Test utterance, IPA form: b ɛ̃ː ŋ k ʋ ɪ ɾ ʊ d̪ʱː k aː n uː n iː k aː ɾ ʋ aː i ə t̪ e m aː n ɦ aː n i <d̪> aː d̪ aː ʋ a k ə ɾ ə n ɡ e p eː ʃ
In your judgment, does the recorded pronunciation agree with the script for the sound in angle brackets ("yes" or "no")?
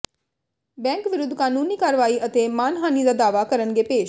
yes